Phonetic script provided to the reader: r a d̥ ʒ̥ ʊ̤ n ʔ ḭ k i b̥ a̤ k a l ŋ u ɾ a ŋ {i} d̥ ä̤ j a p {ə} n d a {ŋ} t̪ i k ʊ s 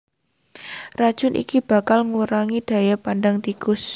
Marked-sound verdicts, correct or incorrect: correct, incorrect, correct

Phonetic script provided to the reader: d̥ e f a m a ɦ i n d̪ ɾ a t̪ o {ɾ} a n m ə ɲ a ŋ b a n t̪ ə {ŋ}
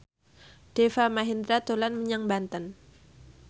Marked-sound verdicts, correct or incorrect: incorrect, incorrect

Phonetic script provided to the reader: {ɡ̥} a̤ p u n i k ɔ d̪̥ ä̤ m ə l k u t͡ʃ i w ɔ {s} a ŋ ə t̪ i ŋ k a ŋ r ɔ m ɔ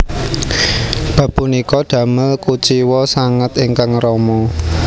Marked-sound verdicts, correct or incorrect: incorrect, correct

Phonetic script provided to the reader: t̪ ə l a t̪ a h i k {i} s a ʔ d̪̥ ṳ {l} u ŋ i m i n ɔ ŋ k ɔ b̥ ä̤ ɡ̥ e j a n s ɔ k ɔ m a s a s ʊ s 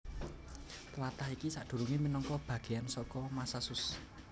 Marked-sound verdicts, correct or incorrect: correct, incorrect

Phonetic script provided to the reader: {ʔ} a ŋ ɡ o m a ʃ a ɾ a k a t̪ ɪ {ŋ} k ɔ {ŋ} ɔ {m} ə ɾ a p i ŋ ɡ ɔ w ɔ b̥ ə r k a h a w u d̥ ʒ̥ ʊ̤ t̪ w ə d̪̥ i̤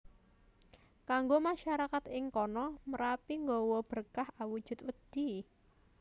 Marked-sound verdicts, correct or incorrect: incorrect, correct, incorrect, correct

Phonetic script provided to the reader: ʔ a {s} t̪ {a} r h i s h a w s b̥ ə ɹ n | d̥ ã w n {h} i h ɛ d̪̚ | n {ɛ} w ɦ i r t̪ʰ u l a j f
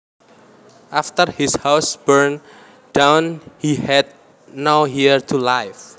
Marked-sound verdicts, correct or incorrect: incorrect, incorrect, correct, incorrect

